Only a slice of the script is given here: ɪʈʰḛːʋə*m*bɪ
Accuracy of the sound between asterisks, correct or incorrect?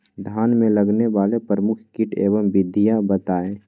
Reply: correct